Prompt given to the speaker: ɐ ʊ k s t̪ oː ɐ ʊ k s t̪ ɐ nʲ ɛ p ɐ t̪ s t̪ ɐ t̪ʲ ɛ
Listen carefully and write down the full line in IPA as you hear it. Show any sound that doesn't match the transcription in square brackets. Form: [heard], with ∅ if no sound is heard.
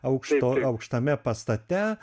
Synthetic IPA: ɐ ʊ k [ʃ] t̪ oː ɐ ʊ k [ʃ] t̪ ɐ [mʲ] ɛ p ɐ [∅] s t̪ ɐ t̪ʲ ɛ